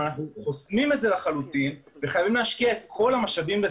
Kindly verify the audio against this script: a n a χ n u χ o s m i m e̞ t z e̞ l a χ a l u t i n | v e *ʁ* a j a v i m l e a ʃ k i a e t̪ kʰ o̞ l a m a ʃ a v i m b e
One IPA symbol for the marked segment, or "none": χ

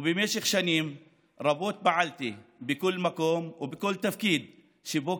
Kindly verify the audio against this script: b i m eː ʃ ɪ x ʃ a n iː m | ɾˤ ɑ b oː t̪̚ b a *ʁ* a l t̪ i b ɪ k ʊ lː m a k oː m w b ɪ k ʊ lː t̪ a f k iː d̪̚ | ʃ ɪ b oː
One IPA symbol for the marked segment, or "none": ʕ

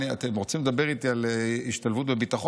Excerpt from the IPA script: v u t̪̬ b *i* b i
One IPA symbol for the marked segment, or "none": e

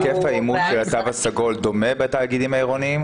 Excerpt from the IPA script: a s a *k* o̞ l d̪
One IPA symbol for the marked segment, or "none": ɡ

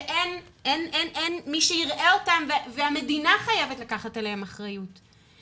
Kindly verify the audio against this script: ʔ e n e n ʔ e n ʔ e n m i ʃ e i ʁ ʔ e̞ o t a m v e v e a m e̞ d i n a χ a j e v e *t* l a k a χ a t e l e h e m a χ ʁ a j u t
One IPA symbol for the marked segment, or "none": t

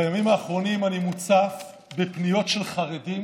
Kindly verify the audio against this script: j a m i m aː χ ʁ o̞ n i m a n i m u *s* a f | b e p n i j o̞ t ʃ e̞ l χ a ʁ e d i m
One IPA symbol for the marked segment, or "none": t͡s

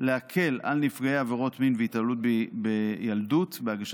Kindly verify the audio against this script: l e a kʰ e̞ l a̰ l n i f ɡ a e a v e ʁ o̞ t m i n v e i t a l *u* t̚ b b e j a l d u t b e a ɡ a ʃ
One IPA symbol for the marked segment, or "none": u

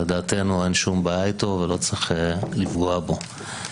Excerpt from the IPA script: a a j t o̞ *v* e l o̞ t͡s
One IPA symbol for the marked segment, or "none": v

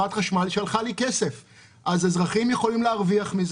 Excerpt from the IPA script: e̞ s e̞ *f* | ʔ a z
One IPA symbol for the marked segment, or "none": f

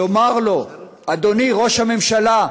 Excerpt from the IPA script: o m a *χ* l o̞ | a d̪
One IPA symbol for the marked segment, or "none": ʁ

